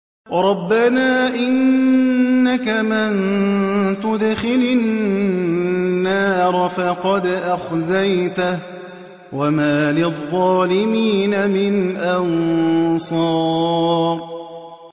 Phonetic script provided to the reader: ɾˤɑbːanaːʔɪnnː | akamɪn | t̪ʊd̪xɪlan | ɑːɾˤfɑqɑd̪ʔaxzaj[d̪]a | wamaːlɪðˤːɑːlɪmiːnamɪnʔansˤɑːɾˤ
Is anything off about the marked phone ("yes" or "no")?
yes